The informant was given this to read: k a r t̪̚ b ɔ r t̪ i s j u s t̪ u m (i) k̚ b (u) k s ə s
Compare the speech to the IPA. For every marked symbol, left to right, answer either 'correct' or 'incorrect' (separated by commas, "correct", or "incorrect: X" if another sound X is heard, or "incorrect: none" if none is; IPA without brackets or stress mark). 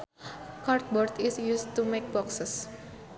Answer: incorrect: e, incorrect: ɔ